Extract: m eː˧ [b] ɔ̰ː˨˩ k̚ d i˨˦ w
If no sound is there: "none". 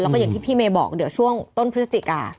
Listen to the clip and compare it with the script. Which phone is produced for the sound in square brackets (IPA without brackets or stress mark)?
b